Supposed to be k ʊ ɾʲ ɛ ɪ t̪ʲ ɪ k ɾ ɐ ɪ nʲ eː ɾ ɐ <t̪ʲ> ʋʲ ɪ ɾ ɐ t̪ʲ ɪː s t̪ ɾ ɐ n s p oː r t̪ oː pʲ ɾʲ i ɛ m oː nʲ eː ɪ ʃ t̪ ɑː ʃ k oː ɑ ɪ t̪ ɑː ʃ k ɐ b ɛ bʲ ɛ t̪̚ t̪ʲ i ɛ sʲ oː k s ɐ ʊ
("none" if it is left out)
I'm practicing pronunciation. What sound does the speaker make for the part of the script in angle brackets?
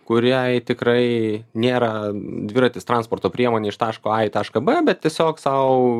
d̪ʲ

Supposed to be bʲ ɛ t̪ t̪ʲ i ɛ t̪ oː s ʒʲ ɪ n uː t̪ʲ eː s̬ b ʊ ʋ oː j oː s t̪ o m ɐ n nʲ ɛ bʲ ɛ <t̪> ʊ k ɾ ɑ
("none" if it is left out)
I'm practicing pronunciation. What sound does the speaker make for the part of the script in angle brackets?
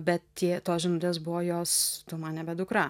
d̪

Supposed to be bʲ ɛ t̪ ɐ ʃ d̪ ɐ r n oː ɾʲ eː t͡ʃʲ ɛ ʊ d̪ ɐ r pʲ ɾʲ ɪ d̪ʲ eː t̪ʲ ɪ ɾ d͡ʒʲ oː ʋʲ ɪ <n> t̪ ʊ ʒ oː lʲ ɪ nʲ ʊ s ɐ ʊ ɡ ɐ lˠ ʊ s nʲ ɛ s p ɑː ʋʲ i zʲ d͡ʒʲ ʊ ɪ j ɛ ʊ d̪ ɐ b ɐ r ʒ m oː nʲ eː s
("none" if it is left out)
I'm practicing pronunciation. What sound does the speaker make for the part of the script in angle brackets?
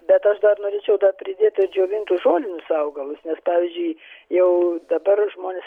n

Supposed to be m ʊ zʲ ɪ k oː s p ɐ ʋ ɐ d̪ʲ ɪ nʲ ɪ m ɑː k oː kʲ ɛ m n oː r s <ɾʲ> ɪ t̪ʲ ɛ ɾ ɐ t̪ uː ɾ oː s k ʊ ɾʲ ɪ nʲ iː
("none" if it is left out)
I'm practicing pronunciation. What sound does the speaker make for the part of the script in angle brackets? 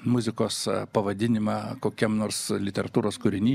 lʲ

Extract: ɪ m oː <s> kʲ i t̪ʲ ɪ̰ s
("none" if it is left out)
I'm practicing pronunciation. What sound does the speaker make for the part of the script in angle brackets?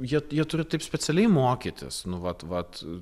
none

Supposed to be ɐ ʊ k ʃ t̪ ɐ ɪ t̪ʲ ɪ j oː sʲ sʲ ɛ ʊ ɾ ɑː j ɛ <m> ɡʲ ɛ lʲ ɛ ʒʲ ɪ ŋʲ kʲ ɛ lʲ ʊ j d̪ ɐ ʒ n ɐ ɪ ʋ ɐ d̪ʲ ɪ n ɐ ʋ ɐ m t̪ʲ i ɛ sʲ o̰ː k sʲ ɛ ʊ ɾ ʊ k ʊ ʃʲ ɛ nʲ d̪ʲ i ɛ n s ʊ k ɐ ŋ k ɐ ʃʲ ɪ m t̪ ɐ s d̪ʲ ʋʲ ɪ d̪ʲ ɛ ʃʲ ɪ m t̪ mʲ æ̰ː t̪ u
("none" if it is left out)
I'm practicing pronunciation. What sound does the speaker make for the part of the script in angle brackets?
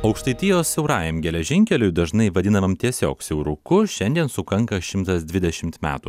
m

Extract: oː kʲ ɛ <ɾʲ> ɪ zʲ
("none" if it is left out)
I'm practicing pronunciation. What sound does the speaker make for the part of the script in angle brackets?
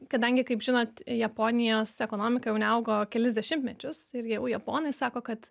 lʲ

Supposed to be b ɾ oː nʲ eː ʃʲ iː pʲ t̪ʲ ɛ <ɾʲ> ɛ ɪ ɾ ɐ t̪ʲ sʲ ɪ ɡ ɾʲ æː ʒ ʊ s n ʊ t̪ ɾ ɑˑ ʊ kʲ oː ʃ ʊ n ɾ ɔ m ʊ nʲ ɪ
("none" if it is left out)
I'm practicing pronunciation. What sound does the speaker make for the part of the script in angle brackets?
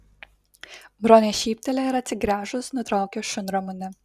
lʲ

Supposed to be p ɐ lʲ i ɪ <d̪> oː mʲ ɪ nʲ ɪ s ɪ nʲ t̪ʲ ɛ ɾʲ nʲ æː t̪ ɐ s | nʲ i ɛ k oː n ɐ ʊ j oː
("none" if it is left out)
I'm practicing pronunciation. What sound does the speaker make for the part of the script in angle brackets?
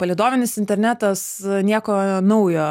d̪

